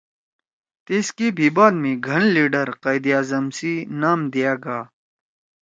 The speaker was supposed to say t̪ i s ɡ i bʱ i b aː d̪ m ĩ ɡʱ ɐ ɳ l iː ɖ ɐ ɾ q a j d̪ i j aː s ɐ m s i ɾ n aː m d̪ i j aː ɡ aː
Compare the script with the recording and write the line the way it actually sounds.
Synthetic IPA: t̪ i s k i bʱ i b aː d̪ m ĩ ɡʱ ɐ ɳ l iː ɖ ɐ ɾ q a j d̪ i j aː z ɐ m s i n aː m d̪ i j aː ɡ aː